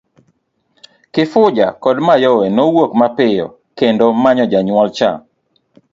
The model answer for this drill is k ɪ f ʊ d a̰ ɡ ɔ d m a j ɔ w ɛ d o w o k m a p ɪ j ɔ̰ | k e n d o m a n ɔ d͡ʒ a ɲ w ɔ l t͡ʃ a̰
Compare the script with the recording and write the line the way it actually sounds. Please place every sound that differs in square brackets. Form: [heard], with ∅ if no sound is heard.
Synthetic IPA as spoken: k ɪ f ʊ [d͡ʒ] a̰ [k] ɔ d m a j ɔ w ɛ [n] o w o k m a p ɪ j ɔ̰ | k e n d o m a [ɲ] ɔ d͡ʒ a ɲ w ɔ l t͡ʃ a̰